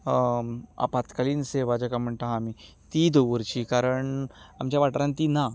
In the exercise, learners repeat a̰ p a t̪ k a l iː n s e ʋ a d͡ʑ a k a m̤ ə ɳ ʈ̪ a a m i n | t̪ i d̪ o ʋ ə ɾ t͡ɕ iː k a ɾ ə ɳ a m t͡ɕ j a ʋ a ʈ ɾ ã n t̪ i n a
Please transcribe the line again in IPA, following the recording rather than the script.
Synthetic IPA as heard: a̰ p a t̪ k a l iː n s e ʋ a d͡ʑ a k a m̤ ə ɳ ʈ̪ a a m i | t̪ i d̪ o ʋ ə ɾ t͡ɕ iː k a ɾ ə ɳ a m t͡ɕ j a ʋ a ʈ ɾ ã n t̪ i n a